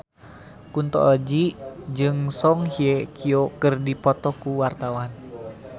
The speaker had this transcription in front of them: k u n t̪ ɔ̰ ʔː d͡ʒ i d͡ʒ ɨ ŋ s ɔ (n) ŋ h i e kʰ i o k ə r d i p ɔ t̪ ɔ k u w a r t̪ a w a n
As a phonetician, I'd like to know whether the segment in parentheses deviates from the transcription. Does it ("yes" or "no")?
yes